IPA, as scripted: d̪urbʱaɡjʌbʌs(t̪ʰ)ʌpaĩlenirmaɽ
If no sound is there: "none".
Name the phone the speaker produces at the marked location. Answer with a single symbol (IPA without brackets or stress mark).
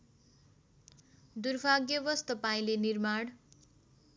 t̪